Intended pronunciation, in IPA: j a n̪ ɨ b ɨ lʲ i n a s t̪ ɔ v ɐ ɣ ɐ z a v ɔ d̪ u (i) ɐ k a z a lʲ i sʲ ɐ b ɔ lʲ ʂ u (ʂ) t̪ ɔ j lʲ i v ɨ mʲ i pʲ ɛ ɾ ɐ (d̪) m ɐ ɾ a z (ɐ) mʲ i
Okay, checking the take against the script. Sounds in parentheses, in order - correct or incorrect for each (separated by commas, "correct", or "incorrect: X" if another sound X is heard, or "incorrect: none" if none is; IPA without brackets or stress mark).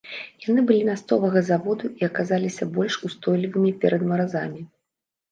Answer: correct, incorrect: s, correct, incorrect: a